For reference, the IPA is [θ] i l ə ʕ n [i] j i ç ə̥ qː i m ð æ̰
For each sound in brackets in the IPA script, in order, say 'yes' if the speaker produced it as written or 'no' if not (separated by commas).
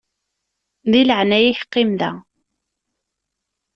no, no